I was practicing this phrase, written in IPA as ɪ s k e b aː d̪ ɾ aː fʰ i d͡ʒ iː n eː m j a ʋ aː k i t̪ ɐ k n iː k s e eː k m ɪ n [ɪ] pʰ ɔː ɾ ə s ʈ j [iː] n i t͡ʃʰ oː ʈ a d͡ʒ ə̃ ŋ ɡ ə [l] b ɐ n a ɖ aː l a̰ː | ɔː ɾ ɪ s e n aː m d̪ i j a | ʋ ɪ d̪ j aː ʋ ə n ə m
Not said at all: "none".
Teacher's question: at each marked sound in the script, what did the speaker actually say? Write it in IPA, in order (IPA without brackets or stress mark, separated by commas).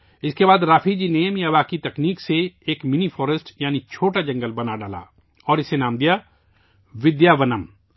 i, aː, l